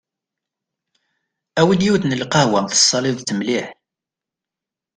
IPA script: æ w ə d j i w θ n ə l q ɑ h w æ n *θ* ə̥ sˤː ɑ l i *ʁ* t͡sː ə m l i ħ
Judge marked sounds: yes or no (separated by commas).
yes, no